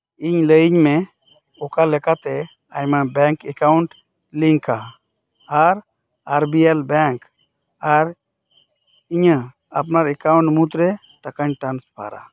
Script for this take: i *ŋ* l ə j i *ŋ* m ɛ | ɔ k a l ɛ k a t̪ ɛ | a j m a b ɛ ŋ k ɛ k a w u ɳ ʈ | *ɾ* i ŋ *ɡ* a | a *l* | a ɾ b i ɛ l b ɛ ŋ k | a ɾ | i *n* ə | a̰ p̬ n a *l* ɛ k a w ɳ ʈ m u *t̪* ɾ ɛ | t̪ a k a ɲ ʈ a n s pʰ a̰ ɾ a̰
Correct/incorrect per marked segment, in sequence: incorrect: ɲ, incorrect: ɲ, incorrect: l, incorrect: k, incorrect: ɾ, incorrect: ɲ, incorrect: ɾ, correct

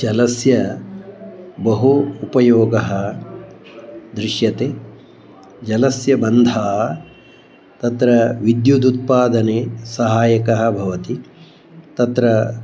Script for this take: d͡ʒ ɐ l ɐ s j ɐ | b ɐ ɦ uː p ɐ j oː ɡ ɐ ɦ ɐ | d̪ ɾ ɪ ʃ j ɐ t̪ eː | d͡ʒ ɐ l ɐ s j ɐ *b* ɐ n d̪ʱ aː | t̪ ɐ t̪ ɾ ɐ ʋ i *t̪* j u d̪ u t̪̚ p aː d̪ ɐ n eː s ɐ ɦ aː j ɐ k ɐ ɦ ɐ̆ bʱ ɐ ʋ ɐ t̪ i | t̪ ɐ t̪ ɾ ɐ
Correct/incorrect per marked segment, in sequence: correct, incorrect: d̪

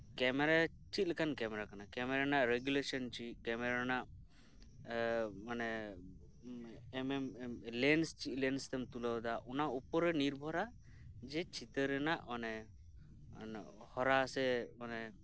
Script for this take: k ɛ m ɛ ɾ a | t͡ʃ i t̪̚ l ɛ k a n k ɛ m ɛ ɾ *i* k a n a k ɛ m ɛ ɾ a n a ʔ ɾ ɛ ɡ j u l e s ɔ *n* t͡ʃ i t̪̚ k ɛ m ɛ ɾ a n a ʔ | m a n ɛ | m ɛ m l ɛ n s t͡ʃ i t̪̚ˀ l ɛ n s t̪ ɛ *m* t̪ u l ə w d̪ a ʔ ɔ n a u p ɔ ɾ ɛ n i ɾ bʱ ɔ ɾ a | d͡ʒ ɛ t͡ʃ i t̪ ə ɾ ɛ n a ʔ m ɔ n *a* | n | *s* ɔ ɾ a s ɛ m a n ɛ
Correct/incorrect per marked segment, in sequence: incorrect: a, correct, correct, incorrect: ɛ, incorrect: h

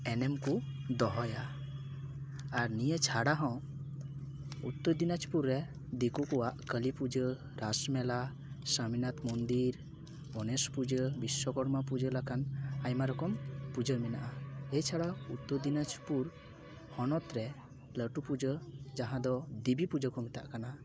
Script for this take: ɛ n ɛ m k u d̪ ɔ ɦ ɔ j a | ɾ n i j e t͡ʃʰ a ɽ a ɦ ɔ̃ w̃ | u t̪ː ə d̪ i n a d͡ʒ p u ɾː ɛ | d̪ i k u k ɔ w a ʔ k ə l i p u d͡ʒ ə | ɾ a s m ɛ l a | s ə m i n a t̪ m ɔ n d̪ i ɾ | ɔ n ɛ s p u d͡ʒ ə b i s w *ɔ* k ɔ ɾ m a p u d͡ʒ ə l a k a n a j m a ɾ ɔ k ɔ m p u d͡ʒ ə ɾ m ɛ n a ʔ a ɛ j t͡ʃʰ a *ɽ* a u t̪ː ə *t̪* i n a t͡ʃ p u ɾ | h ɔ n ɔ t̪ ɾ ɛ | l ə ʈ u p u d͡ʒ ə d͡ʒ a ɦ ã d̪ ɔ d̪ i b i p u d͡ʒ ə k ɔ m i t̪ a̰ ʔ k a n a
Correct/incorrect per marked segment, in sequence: correct, correct, incorrect: d̪

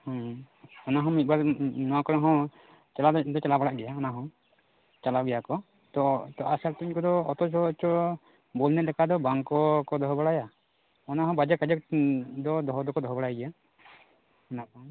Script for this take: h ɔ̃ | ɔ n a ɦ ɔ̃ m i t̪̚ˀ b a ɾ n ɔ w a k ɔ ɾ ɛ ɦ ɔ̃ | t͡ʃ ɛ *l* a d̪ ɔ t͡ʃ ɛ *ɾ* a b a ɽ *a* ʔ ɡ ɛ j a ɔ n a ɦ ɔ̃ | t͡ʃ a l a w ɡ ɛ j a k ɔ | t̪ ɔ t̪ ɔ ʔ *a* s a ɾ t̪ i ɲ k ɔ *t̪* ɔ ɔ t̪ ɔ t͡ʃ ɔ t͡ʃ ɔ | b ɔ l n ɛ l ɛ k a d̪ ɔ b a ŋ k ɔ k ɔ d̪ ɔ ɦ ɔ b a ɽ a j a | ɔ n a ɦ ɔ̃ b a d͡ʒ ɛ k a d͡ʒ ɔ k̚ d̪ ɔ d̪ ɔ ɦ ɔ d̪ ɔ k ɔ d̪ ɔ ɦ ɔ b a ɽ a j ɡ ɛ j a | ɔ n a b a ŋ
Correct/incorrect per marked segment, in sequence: correct, incorrect: l, correct, correct, incorrect: d̪

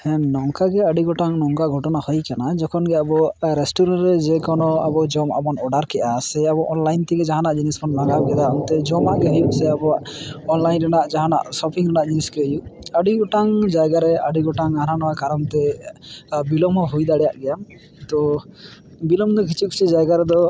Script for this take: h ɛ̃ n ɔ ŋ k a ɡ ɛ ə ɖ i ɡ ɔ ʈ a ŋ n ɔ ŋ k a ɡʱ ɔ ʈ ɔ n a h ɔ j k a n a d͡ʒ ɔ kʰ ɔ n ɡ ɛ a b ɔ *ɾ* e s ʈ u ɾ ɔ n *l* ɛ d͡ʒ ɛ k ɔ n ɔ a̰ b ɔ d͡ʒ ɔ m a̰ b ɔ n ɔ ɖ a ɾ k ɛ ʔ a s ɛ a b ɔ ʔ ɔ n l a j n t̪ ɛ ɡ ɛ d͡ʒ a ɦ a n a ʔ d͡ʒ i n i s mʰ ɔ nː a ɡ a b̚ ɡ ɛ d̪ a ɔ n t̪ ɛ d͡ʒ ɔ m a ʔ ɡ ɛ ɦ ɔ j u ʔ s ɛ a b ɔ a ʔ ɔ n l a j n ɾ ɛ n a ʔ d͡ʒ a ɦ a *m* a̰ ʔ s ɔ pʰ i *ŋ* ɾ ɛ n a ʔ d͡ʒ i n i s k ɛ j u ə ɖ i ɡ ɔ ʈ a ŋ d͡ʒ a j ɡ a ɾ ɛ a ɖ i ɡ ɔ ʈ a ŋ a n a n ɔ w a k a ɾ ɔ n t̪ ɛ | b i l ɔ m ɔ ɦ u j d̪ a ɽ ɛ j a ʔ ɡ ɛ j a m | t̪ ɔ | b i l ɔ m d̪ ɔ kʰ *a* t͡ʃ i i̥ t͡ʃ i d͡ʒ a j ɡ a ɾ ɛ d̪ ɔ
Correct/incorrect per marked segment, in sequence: correct, incorrect: ɾ, incorrect: n, correct, incorrect: i

